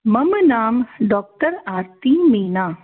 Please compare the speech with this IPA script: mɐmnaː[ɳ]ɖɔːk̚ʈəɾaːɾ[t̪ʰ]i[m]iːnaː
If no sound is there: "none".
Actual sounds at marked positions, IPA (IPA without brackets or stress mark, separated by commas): m, t̪, m